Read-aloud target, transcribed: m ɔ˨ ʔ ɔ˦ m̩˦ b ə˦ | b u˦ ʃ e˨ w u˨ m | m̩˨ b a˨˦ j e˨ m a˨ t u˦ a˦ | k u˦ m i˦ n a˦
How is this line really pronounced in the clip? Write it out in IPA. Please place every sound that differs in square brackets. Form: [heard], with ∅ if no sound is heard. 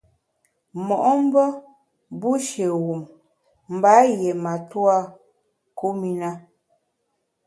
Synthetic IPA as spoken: m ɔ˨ ʔ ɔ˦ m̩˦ b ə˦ | b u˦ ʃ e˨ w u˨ m | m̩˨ b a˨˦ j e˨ m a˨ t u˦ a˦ | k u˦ m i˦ n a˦